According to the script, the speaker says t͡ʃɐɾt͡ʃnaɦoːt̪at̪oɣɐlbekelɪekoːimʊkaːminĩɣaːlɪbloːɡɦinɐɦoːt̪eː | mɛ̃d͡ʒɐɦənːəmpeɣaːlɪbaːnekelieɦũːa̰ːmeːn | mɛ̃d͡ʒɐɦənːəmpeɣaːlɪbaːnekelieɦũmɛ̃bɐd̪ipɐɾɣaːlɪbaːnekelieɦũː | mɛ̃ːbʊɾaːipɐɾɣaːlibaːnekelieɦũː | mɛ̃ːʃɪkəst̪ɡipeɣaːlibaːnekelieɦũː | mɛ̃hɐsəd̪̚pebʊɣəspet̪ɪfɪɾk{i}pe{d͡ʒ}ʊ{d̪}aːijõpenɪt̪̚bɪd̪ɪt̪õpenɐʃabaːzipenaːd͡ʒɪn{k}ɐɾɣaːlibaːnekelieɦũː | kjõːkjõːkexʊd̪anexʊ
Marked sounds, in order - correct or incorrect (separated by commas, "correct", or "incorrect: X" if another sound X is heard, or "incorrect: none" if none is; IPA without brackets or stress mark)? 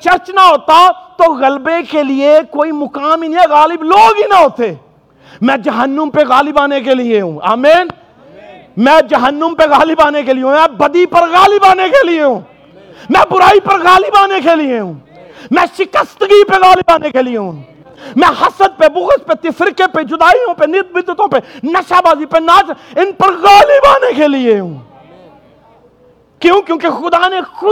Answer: incorrect: e, correct, correct, incorrect: p